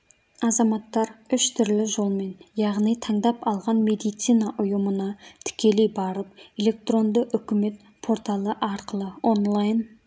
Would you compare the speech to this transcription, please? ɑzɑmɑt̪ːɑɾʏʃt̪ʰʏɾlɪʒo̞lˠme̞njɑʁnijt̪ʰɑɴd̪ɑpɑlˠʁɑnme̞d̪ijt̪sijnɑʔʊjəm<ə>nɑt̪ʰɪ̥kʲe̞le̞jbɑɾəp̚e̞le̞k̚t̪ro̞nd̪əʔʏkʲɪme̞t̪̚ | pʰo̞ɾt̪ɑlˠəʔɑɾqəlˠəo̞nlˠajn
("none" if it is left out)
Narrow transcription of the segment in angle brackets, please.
ə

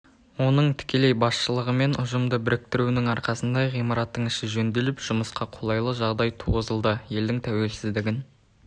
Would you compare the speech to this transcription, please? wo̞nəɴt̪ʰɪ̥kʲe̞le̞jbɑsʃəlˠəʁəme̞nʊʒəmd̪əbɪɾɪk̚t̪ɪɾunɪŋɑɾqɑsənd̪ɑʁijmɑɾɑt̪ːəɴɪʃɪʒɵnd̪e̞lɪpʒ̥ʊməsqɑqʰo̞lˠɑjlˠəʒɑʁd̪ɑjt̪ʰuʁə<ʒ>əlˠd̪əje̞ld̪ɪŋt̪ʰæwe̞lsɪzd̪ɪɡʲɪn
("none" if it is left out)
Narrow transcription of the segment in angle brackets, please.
z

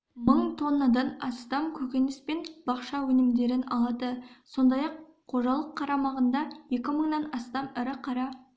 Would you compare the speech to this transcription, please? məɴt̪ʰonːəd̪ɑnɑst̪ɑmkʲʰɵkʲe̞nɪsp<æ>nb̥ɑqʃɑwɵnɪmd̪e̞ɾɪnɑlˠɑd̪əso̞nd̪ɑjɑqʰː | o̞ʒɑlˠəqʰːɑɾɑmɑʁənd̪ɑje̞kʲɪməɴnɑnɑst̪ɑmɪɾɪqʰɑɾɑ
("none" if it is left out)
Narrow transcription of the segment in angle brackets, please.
e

